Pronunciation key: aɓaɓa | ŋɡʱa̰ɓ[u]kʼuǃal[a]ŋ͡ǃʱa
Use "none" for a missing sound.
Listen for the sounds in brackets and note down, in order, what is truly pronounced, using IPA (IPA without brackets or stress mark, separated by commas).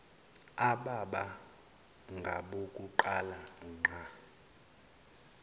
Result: o, a